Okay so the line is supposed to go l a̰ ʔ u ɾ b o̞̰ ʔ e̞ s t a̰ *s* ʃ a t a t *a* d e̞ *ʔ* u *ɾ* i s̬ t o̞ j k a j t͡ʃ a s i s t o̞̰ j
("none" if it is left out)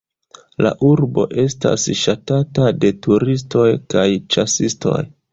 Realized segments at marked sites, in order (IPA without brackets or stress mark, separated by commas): s, a, t, ɾ